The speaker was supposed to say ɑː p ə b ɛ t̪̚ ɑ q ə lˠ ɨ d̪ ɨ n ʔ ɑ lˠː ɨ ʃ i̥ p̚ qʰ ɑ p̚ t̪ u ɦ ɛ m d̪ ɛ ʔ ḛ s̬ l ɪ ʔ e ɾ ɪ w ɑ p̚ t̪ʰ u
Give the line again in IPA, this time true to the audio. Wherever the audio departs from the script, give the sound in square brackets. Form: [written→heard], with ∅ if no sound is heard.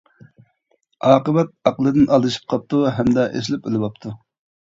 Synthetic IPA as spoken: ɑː [p→q] ə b ɛ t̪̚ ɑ q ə lˠ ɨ d̪ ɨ n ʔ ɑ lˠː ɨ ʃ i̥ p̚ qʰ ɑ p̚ t̪ u ɦ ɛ m d̪ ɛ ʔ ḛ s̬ l ɪ [ʔ→p] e [ɾ→l] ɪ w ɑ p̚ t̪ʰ u